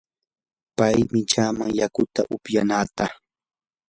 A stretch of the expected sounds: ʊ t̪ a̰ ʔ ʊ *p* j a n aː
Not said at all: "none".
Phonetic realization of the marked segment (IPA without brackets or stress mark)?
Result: p